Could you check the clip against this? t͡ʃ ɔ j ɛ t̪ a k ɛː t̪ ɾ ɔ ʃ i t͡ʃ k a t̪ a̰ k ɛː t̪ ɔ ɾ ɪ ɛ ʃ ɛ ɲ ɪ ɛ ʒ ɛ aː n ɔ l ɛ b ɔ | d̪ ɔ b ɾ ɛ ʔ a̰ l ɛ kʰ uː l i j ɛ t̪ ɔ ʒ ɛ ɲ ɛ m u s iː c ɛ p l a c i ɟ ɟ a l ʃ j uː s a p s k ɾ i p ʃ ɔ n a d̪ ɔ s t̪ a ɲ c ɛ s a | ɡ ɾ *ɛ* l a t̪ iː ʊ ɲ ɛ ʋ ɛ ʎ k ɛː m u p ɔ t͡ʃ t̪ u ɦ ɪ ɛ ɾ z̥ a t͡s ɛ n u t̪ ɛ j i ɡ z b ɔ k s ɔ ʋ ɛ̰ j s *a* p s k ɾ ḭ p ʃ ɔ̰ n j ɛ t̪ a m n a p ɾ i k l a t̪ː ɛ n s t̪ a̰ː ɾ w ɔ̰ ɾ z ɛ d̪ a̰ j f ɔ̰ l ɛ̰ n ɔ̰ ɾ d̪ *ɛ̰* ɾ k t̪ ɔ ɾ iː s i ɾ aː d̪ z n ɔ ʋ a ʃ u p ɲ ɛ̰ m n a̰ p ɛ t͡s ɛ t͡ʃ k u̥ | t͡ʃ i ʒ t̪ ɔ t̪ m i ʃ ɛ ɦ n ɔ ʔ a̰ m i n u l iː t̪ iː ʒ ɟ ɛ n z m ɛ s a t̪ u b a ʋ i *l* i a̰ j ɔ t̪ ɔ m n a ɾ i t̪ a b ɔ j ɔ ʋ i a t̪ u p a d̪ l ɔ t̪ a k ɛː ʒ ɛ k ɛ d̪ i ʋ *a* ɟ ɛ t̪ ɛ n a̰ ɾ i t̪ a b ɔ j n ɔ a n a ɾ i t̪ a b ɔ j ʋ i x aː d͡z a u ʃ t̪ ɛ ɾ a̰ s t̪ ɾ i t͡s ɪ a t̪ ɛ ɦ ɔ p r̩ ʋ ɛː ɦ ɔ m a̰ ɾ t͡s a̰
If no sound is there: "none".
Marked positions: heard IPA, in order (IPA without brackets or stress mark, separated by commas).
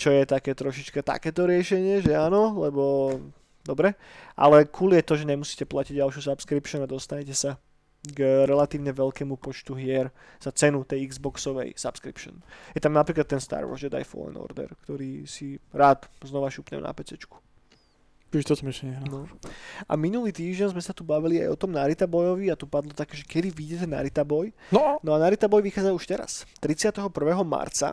ɛ, a, ɛ̰, l, i